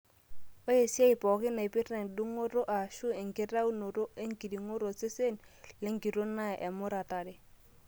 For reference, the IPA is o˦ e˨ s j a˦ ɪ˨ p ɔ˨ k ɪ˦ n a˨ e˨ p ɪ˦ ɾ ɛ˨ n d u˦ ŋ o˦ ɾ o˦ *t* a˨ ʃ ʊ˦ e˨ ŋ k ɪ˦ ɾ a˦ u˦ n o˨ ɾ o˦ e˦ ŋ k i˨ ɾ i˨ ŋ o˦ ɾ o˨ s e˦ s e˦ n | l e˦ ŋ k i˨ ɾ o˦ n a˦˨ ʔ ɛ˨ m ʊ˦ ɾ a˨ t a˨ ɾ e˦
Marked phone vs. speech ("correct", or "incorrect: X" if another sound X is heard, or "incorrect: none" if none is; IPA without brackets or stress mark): incorrect: ʔ